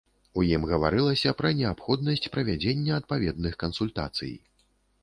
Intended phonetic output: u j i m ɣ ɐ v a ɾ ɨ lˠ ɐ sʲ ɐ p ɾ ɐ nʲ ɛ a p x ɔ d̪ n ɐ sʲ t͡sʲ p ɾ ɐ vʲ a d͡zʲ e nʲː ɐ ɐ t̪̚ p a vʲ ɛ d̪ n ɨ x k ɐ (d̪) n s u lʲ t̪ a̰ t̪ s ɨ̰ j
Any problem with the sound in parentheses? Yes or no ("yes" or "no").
yes